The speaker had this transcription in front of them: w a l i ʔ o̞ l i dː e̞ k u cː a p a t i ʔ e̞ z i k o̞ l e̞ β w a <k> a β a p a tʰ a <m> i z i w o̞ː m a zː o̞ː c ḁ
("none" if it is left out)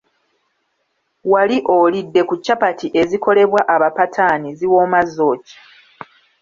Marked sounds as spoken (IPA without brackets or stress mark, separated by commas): ʔ, n